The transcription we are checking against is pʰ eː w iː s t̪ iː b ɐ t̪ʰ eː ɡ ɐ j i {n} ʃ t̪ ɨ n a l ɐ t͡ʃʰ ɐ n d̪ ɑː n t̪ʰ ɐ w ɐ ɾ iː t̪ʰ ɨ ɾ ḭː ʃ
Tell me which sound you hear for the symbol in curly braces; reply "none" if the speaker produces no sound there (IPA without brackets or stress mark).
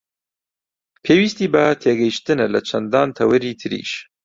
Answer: none